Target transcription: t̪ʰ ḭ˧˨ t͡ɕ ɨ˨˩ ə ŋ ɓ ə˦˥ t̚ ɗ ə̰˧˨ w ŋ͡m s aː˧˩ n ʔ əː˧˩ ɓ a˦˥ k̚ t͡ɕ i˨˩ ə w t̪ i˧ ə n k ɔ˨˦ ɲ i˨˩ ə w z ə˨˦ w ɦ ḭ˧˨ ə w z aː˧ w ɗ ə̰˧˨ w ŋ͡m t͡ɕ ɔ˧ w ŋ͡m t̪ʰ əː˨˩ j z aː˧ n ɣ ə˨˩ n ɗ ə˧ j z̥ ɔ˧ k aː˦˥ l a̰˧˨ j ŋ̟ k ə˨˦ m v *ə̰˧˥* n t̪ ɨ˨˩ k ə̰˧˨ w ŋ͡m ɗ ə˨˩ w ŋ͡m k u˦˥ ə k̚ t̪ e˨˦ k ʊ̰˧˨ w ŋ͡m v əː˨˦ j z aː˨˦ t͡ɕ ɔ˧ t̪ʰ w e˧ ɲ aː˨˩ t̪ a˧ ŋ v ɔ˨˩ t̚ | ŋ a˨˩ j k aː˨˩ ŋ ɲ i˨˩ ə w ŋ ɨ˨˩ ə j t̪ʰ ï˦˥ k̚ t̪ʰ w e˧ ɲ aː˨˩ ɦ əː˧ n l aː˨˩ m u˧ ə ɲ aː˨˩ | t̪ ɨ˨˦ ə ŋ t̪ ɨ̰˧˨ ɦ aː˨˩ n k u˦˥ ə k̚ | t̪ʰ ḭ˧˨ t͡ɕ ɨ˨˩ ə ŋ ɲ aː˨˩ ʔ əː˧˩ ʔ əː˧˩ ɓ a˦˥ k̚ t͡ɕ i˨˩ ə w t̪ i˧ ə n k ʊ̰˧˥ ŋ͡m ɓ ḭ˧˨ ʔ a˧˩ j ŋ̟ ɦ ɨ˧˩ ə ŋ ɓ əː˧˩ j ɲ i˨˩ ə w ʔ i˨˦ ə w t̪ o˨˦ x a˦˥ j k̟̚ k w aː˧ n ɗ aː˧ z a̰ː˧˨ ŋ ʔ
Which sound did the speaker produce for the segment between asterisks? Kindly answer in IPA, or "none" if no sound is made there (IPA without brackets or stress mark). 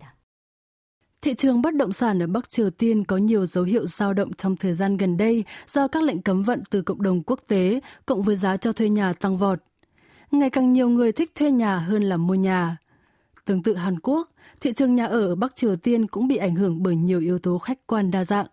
ə̰˧˨